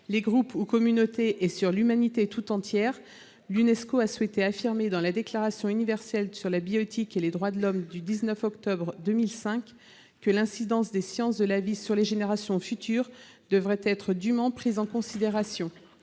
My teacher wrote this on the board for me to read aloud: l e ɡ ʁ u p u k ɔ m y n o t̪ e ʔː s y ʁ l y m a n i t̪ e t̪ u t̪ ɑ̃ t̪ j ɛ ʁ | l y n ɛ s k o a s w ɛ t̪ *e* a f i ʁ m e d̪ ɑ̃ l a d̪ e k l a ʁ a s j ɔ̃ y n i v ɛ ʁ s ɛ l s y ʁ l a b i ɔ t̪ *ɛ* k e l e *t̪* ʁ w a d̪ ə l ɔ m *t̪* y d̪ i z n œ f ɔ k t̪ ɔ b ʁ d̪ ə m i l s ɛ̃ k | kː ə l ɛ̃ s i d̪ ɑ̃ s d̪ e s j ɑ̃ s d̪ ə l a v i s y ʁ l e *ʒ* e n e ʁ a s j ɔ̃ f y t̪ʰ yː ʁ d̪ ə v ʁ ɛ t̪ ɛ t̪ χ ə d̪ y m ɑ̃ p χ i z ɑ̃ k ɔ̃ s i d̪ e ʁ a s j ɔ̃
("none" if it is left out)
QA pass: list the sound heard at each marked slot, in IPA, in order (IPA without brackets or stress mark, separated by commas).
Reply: e, i, d̪, d̪, ʒ